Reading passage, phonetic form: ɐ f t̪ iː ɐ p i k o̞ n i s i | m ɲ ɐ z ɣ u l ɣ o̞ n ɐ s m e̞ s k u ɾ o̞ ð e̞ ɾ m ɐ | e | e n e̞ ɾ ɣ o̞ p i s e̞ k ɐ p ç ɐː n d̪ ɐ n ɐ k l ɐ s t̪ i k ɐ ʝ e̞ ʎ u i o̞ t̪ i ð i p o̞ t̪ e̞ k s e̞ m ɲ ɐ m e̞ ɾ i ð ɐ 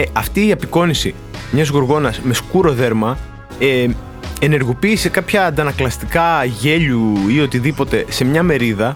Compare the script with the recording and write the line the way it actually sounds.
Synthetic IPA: ɐ f t̪ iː ɐ p i k o̞ n i s i | m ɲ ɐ z ɣ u ɾ ɣ o̞ n ɐ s m e̞ s k u ɾ o̞ ð e̞ ɾ m ɐ | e | e n e̞ ɾ ɣ o̞ p iː s e̞ k ɐ p ç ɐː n d̪ ɐ n ɐ k l ɐ s t̪ i k ɐ ʝ e̞ ʎ u i o̞ t̪ i ð i p o̞ t̪ e̞ s e̞ m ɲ ɐ m e̞ ɾ i ð ɐ